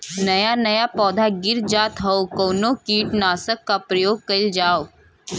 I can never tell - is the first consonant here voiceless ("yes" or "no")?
no